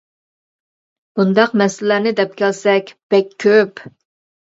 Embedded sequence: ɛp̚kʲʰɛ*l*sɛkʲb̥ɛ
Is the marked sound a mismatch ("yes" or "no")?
no